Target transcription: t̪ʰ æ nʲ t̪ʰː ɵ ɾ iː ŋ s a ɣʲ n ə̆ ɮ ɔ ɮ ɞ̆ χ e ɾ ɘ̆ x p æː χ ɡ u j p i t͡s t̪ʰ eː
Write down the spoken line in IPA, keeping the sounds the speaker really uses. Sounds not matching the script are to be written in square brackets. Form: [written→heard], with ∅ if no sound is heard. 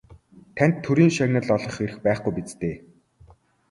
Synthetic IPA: t̪ʰ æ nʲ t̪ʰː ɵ ɾ iː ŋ [s→ʃ] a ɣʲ n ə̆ ɮ ɔ ɮ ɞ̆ χ e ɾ ɘ̆ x p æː χ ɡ u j p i t͡s [t̪ʰ→t̪] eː